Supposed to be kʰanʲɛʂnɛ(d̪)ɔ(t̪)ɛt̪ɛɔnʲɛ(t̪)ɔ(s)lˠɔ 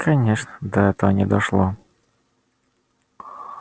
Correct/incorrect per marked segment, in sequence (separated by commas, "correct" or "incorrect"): correct, incorrect, incorrect, incorrect